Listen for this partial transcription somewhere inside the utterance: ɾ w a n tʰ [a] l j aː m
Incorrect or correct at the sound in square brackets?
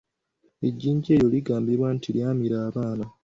incorrect: i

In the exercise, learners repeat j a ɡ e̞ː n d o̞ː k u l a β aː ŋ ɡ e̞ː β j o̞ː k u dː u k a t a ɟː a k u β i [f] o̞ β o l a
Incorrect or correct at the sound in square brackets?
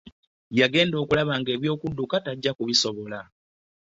incorrect: s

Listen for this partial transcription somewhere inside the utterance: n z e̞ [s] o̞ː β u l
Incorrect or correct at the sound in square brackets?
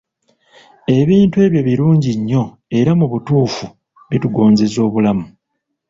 incorrect: z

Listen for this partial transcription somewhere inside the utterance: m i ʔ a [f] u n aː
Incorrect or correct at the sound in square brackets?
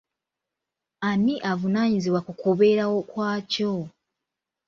incorrect: v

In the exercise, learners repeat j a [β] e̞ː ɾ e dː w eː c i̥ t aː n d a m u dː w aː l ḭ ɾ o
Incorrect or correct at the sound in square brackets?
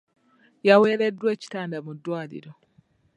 incorrect: w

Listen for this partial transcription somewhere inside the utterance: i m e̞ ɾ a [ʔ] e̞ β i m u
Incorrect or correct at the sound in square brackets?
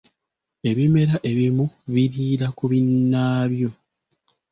correct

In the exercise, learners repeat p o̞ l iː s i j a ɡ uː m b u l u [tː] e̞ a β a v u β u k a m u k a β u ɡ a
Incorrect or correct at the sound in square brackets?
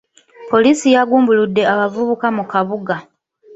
incorrect: dː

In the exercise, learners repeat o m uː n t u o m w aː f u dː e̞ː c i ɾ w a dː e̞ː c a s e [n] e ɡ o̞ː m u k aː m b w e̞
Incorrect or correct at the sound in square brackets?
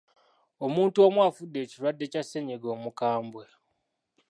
incorrect: ɲ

